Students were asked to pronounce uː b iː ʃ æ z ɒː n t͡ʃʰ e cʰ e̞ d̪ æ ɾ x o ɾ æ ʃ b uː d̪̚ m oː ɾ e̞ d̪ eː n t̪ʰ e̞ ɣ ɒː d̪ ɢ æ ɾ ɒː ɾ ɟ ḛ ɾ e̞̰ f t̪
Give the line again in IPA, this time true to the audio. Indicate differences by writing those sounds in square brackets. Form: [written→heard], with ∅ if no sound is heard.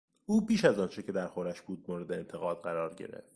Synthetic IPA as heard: uː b iː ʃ æ z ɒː n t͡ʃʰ e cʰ e̞ d̪ æ ɾ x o ɾ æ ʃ b uː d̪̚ m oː ɾ e̞ d̪ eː n t̪ʰ e̞ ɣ ɒː d̪ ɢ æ ɾ ɒː ɾ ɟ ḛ ɾ e̞̰ f t̪